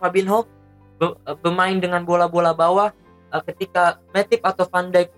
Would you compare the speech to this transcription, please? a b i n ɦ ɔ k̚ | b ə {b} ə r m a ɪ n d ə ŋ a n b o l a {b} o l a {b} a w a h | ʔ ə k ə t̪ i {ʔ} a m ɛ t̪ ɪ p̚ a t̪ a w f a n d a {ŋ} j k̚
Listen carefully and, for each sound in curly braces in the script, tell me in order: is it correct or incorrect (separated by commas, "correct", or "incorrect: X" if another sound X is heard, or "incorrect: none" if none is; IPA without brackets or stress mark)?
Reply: correct, correct, correct, incorrect: k, incorrect: none